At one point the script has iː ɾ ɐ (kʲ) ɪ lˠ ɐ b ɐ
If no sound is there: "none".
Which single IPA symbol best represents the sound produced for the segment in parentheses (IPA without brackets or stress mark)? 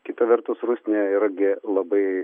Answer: ɡʲ